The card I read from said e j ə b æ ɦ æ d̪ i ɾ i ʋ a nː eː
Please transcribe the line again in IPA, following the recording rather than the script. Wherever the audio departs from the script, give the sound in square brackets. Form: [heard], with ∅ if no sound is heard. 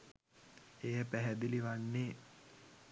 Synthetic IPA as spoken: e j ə [p] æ ɦ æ d̪ i [l] i ʋ a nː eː